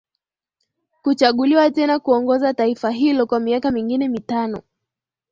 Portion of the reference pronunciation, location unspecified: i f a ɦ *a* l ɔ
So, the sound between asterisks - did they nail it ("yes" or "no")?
no